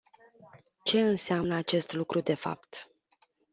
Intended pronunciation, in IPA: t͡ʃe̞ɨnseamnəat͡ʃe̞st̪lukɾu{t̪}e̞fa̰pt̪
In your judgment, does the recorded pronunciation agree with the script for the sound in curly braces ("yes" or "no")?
no